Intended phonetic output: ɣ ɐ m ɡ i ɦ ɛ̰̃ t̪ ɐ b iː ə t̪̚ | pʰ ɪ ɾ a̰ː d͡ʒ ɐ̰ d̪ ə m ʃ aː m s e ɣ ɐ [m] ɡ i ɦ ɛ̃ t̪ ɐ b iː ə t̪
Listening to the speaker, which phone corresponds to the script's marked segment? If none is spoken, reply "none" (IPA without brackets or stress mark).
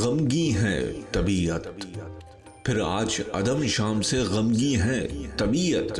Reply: m